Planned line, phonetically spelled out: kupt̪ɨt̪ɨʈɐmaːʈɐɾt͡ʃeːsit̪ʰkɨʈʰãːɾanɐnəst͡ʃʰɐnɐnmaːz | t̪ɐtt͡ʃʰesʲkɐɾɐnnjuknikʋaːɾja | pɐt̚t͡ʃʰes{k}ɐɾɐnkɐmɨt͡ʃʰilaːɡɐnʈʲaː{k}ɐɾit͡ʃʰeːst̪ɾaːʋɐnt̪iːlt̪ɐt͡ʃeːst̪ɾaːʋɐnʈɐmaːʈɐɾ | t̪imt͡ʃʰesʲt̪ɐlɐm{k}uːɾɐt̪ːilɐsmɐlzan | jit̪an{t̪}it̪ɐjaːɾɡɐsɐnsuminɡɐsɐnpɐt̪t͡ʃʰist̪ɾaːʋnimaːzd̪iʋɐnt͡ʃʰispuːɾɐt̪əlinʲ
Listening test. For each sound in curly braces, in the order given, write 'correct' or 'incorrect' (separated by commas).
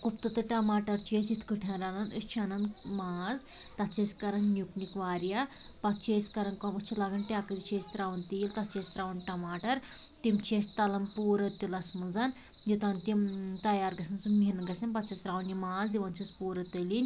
correct, correct, incorrect, correct